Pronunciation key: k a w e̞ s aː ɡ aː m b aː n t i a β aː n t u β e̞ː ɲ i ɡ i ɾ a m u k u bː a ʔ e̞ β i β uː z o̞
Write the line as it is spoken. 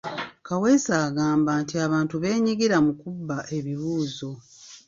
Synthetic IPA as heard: k a w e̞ s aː ɡ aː m b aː n t i a β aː n t u β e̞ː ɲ i ɡ i ɾ a m u k u bː a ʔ e̞ β i β uː z o̞